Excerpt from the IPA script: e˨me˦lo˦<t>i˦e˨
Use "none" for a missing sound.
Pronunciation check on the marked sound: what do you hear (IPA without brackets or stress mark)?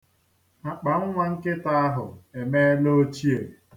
t͡ʃ